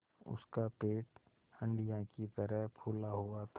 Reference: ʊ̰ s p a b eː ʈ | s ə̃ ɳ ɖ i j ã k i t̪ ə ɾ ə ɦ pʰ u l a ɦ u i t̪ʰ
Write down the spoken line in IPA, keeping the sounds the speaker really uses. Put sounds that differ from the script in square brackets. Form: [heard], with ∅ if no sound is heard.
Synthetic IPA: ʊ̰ s [k] a [p] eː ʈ | [h] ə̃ ɳ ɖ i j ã k i t̪ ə ɾ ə ɦ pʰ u l a ɦ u [a] t̪ʰ

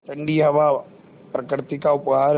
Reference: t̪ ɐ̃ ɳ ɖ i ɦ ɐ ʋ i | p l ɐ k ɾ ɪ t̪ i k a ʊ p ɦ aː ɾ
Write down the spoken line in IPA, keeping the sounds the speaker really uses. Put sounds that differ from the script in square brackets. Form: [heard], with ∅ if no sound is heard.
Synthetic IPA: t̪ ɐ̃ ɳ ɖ i ɦ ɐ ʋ [a] | p [ɾ] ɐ k ɾ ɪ t̪ i k a ʊ p ɦ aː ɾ

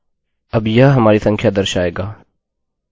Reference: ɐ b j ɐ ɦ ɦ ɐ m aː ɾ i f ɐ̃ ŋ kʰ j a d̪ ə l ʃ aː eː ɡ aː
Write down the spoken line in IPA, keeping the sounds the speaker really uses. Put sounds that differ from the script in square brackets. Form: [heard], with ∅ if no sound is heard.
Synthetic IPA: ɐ b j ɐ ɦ ɦ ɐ m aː ɾ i [s] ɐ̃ ŋ kʰ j a d̪ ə [ɾ] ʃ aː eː ɡ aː

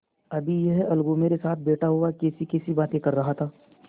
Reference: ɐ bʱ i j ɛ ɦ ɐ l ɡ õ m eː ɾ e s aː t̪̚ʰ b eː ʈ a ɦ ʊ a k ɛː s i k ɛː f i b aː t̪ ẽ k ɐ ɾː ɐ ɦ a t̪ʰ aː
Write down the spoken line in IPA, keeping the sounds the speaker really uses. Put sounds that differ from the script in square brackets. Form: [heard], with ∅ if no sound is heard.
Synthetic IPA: ɐ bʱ i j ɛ ɦ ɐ l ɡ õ m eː ɾ e s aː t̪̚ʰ b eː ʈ a ɦ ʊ a k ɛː s i k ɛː [s] i b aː t̪ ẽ k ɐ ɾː ɐ ɦ a t̪ʰ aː

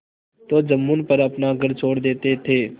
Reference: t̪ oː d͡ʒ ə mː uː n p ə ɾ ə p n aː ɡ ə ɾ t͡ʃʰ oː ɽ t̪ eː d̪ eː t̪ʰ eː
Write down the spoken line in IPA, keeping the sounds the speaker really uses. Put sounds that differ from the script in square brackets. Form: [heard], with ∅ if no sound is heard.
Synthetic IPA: t̪ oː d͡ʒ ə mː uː n p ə ɾ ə p n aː ɡ ə ɾ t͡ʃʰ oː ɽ [d̪] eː [t̪] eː t̪ʰ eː

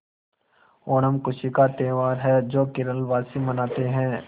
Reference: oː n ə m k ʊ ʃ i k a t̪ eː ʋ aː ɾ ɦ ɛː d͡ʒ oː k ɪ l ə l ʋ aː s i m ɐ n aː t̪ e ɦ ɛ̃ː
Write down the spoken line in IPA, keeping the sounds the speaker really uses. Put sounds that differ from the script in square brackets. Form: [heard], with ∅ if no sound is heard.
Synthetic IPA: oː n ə m k ʊ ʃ i k a t̪ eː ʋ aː ɾ ɦ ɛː d͡ʒ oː k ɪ [ɾ] ə l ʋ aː s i m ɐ n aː t̪ e ɦ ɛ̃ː

